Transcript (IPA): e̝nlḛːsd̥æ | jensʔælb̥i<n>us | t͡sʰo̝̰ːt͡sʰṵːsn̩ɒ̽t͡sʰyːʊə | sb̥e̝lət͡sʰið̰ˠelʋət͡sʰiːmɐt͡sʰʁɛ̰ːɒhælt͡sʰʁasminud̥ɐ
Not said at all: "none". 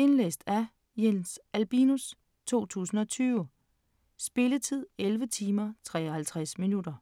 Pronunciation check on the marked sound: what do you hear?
n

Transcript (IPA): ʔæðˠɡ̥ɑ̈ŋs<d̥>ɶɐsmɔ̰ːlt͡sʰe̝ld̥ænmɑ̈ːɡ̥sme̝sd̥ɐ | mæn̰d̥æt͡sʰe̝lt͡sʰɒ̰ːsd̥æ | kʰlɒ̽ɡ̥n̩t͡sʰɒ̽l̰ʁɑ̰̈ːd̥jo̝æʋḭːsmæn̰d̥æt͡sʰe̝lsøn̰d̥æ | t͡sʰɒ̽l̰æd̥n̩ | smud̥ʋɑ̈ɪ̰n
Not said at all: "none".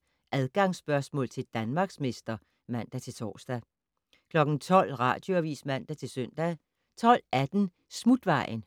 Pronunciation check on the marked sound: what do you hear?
b̥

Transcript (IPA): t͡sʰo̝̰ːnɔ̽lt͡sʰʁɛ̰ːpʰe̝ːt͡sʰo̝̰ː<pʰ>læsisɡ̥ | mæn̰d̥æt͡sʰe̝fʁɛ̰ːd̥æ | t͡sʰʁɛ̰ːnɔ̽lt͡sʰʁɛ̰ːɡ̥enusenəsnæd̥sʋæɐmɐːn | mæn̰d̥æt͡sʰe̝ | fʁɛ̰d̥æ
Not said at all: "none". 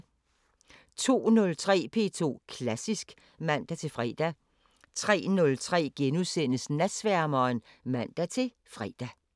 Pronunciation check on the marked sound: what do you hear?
kʰ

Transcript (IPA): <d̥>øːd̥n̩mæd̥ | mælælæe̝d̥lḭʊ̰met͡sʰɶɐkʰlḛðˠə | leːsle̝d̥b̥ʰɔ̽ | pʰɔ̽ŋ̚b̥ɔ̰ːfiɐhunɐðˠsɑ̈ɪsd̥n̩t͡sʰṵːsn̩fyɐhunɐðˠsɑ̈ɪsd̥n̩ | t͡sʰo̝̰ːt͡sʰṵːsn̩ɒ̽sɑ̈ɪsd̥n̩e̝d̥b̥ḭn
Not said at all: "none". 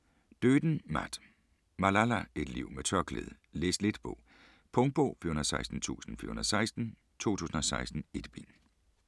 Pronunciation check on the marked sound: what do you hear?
d̥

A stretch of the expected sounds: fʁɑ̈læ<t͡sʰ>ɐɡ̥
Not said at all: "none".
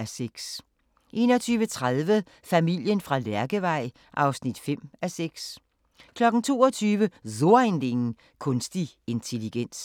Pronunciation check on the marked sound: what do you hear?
none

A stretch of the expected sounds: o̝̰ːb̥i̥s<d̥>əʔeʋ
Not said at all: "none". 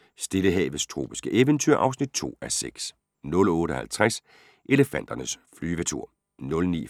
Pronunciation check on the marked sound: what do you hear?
ɡ̥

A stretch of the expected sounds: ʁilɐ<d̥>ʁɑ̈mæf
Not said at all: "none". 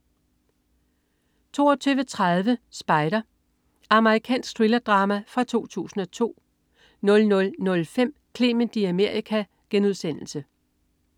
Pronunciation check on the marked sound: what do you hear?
d̥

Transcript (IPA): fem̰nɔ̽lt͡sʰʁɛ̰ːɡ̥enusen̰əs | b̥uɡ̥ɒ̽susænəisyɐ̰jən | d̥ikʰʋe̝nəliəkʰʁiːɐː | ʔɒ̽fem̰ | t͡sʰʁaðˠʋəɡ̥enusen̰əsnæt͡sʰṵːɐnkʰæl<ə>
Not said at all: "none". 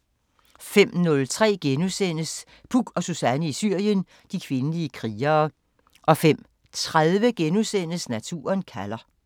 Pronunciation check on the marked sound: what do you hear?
ɐ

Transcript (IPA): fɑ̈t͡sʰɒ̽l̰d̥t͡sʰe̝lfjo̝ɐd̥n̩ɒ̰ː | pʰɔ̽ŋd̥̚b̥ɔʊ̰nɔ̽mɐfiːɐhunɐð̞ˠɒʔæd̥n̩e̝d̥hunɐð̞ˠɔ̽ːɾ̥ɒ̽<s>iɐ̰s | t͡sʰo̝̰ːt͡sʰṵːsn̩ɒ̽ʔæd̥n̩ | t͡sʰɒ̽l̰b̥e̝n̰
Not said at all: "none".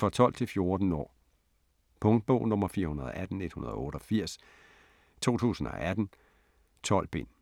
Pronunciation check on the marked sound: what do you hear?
f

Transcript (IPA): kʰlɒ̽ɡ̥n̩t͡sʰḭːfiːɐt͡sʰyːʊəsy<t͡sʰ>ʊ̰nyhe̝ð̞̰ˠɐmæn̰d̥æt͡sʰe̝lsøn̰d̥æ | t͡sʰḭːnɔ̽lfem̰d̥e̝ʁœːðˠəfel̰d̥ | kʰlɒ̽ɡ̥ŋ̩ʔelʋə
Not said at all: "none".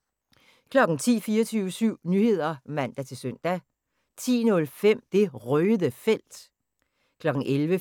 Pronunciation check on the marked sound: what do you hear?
none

